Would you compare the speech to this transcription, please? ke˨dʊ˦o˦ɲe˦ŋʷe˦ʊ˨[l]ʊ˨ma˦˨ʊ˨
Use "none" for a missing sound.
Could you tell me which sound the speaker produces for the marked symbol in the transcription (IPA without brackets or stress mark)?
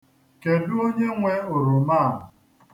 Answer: ɾ